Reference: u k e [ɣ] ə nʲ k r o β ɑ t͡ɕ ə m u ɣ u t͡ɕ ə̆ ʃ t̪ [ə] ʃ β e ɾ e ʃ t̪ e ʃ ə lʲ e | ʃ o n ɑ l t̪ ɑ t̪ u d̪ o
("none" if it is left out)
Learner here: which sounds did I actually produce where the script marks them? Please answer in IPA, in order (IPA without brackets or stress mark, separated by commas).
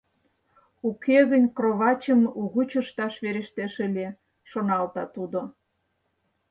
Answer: ɣ, ɑ